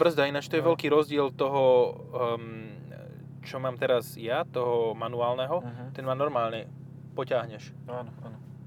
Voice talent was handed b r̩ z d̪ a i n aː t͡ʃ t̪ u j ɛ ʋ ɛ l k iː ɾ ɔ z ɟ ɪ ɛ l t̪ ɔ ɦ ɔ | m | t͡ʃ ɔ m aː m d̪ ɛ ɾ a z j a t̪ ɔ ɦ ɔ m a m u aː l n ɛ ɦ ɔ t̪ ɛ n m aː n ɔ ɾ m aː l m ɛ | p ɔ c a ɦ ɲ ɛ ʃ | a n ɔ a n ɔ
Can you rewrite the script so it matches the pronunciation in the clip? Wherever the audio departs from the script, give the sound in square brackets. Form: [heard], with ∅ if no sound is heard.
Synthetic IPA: b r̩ z d̪ a i n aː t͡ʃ t̪ [ɔ] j ɛ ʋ ɛ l k iː ɾ ɔ z ɟ ɪ ɛ l t̪ ɔ ɦ ɔ | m | t͡ʃ ɔ m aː m [t̪] ɛ ɾ a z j a t̪ ɔ ɦ ɔ m a [n] u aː l n ɛ ɦ ɔ t̪ ɛ n m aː n ɔ ɾ m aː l [ɲ] ɛ | p ɔ c a ɦ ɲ ɛ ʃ | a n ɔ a n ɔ